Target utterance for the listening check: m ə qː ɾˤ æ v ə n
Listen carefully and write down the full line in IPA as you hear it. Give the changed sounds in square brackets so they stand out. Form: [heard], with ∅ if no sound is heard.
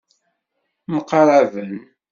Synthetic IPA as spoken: m ə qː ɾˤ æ v ə n